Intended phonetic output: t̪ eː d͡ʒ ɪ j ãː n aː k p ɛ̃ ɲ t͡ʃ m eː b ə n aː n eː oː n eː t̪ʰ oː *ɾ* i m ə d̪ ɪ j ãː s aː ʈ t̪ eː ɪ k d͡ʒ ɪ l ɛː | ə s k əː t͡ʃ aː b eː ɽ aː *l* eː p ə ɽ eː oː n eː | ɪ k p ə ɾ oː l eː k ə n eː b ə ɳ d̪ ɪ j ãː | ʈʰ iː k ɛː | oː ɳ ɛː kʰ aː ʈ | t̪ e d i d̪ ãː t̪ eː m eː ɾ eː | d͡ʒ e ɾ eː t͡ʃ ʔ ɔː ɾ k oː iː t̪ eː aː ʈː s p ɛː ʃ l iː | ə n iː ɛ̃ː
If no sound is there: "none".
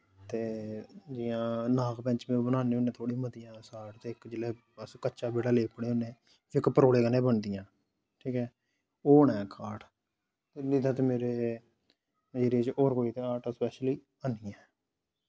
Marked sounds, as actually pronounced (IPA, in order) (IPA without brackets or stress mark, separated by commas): ɽ, l